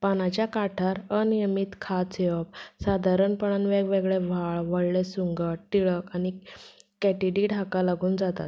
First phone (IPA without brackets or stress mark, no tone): p